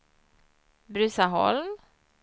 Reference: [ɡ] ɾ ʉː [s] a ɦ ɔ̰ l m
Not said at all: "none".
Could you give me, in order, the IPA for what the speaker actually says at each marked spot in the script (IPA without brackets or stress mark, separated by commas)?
b, s